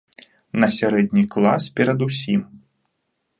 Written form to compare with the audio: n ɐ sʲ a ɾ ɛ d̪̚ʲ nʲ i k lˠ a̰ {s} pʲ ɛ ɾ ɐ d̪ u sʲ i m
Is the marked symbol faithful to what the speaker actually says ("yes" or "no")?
yes